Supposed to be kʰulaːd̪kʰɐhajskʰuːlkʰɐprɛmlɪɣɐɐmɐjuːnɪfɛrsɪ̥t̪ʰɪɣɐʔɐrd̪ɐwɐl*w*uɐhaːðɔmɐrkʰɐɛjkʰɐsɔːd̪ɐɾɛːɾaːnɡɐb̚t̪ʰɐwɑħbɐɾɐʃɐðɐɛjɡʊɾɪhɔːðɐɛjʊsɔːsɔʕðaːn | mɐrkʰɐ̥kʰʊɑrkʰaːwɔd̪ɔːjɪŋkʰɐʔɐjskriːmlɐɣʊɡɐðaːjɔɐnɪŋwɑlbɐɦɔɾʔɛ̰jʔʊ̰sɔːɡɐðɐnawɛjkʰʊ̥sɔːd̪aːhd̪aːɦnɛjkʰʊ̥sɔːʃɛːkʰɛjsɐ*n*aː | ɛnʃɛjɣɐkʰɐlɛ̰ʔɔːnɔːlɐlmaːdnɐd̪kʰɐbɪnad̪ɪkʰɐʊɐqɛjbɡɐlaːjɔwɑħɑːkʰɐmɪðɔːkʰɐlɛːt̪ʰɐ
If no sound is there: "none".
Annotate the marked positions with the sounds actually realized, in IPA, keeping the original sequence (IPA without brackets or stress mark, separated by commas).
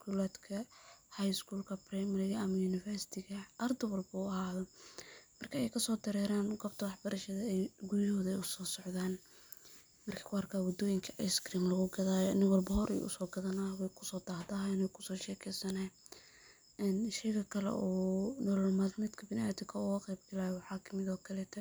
b, n